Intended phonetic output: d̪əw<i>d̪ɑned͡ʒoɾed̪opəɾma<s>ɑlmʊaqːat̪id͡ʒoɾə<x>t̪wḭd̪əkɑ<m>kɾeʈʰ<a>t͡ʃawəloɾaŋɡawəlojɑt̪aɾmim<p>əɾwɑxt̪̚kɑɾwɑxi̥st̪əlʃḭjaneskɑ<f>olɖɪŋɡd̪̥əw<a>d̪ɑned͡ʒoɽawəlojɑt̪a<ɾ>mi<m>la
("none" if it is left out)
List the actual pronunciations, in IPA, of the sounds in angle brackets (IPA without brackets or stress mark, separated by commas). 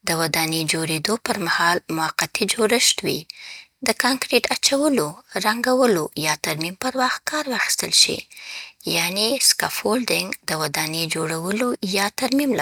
a, h, ʃ, ŋ, a, p, f, a, ɾ, m